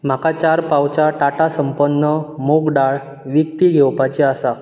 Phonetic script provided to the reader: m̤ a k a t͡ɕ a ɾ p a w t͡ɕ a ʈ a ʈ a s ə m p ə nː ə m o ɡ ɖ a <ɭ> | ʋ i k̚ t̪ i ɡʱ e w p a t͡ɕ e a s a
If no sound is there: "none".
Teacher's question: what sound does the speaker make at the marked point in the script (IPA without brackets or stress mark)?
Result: ɭ